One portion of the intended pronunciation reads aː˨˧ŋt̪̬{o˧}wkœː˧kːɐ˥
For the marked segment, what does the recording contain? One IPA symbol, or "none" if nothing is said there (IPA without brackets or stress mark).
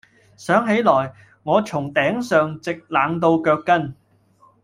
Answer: o˧